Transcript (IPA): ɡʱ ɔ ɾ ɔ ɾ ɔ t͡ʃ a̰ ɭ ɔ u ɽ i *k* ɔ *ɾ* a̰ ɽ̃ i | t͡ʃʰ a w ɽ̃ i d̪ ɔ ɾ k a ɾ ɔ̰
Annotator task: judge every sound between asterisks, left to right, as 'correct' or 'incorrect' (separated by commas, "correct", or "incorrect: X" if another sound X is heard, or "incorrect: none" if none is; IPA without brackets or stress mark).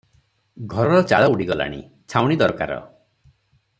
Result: incorrect: ɡ, incorrect: l